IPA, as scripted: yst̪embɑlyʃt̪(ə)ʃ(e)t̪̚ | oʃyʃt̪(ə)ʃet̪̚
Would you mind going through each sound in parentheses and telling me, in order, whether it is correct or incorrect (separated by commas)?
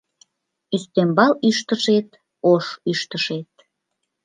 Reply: correct, correct, correct